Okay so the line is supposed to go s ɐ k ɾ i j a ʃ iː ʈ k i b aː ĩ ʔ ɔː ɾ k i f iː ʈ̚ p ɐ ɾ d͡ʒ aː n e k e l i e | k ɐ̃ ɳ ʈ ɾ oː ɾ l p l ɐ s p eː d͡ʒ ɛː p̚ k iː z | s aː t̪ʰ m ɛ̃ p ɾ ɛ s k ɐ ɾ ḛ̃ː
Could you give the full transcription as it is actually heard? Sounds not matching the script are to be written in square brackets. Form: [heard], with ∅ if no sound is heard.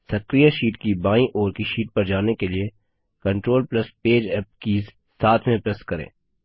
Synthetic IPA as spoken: s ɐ k ɾ i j a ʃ iː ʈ k i b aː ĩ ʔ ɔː ɾ k i [ʃ] iː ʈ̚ p ɐ ɾ d͡ʒ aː n e k e l i e | k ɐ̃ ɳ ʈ ɾ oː [∅] l p l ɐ s p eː d͡ʒ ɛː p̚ k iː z | s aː t̪ʰ m [ẽ] p ɾ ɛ s k ɐ ɾ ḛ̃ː